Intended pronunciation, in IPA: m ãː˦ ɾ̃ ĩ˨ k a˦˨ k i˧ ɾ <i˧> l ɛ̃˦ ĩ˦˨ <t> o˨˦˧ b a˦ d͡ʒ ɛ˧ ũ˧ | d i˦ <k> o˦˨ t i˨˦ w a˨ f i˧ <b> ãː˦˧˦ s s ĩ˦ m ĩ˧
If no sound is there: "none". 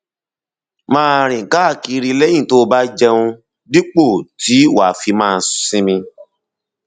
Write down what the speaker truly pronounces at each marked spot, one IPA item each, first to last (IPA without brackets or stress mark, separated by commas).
i˧, t, k͡p, m